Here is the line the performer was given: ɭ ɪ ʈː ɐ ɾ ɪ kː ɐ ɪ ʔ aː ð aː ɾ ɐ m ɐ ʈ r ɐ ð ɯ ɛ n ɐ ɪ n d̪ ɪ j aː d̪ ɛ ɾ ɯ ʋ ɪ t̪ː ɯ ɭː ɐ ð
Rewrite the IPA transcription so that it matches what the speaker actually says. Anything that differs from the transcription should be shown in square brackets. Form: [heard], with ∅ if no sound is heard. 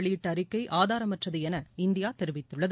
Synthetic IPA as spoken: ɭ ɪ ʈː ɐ ɾ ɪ kː ɐ ɪ ʔ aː ð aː ɾ ɐ m ɐ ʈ r ɐ ð ɯ ɛ n ɐ ɪ n d̪ ɪ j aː [t̪] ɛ ɾ ɯ ʋ ɪ t̪ː ɯ ɭː ɐ ð